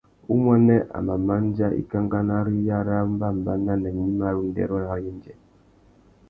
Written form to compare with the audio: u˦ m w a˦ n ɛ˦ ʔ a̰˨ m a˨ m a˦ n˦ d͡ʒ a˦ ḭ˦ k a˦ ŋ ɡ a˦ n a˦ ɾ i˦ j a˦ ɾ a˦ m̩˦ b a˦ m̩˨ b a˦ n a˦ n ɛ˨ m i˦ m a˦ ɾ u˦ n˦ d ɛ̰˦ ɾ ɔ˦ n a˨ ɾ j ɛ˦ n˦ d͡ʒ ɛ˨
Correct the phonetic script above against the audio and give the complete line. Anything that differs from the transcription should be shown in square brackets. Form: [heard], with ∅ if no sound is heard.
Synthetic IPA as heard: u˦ m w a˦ n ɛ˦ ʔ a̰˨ m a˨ m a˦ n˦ d͡ʒ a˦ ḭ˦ k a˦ ŋ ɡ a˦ n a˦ ɾ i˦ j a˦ ɾ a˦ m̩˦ b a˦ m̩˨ b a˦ n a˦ n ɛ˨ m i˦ m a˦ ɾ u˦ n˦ d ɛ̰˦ ɾ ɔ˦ n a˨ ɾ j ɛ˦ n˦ d͡ʒ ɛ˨